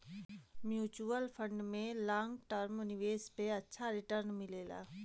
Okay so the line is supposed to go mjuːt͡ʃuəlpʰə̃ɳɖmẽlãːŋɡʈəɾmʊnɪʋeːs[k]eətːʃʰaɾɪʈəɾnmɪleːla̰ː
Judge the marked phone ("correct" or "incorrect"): incorrect